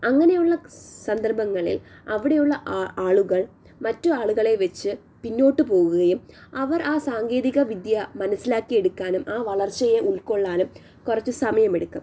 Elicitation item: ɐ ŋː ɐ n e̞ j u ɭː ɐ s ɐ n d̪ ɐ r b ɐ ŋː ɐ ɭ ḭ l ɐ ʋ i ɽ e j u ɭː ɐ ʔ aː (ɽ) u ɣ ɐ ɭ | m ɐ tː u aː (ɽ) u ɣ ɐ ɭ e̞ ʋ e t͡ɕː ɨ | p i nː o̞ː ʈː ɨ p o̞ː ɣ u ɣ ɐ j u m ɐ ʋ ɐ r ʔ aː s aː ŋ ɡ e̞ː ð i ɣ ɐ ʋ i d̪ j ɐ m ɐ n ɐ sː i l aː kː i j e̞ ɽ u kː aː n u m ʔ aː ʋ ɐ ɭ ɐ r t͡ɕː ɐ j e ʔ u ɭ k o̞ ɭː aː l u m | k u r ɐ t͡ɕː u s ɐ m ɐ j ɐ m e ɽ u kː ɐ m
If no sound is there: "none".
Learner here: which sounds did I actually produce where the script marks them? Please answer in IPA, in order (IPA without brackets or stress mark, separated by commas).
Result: ɭ, ɭ